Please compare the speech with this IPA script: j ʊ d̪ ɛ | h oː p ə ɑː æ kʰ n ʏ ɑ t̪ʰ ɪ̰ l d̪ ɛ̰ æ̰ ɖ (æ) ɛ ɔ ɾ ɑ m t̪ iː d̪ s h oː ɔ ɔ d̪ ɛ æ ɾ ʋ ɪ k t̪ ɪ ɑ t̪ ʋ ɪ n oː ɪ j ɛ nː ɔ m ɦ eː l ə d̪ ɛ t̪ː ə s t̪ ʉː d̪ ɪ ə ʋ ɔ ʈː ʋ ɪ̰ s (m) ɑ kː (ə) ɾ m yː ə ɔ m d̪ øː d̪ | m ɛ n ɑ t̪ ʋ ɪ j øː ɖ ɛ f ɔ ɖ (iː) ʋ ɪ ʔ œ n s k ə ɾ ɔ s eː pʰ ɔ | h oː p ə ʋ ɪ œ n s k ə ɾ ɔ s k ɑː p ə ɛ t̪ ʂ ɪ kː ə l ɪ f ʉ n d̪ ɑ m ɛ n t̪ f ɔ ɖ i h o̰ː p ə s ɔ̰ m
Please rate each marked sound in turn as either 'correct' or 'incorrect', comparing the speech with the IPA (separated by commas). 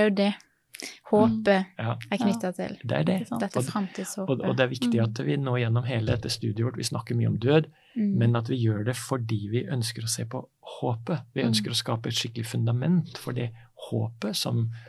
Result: incorrect, incorrect, correct, correct